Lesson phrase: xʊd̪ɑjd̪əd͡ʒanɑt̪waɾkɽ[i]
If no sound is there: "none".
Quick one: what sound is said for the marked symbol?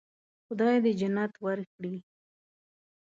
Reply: i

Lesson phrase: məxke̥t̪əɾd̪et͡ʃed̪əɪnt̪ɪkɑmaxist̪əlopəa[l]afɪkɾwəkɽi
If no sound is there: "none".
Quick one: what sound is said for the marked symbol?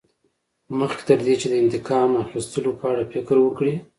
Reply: ɽ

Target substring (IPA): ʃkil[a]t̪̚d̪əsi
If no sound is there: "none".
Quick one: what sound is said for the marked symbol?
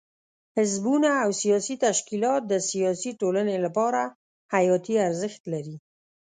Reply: ɑ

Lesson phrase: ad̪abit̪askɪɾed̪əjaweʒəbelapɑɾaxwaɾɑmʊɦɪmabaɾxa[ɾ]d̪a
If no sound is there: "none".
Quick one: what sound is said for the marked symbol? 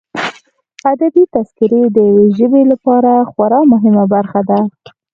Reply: none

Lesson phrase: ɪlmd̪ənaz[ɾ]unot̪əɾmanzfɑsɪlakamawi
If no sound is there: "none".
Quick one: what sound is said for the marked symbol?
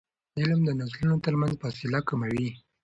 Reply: l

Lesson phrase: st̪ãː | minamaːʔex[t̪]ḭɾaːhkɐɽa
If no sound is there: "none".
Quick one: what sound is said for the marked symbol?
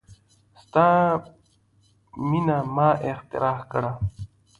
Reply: t̪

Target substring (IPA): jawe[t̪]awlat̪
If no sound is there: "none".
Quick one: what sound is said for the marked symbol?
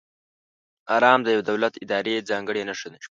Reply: d̪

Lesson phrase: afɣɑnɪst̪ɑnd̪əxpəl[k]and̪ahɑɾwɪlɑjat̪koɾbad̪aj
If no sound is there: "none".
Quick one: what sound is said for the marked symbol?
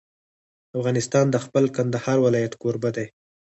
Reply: k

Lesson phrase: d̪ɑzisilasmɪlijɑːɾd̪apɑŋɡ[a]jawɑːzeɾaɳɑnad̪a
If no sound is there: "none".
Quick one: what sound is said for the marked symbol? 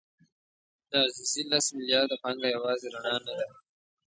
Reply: a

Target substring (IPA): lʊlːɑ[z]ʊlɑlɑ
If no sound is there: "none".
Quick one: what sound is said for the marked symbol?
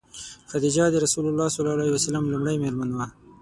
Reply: s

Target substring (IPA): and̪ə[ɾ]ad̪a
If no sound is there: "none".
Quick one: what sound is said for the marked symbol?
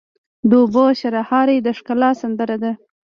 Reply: ɾ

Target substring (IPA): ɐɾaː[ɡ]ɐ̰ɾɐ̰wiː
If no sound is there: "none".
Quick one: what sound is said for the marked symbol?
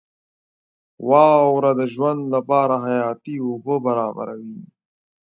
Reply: b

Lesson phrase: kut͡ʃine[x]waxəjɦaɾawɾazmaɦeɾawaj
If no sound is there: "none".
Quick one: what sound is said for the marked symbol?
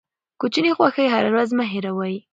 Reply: x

